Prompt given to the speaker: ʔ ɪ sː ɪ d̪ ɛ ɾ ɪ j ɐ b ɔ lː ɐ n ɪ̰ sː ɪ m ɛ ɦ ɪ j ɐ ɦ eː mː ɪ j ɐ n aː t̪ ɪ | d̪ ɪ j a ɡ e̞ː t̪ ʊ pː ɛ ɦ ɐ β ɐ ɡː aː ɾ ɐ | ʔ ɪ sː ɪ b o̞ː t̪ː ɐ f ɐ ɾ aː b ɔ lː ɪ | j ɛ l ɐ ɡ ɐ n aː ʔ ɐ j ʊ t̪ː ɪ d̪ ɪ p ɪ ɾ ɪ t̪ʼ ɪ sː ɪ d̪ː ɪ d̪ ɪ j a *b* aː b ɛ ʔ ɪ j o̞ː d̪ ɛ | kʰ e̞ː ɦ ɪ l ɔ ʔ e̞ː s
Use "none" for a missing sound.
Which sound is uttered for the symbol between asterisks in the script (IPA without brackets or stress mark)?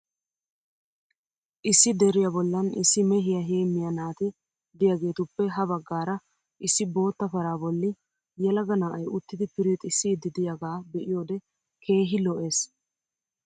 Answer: ɡ